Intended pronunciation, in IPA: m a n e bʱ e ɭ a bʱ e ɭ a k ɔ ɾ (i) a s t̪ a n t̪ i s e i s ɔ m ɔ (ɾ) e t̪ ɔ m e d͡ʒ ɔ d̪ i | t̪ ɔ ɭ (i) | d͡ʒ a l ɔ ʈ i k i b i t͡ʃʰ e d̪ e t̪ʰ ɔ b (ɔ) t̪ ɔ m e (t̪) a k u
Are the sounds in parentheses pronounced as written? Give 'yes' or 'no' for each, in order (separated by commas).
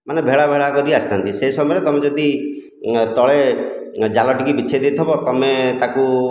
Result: yes, yes, no, yes, yes